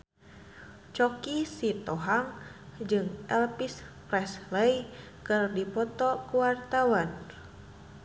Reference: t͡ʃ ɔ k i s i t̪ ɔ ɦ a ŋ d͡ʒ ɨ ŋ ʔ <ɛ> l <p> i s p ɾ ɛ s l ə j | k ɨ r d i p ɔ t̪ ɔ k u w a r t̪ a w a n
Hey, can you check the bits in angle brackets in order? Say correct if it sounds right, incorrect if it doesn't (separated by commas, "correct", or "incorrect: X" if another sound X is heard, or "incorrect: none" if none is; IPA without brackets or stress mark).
correct, correct